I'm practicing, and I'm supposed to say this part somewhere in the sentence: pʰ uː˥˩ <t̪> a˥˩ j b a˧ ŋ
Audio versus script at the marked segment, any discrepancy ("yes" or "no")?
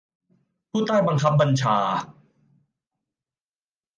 no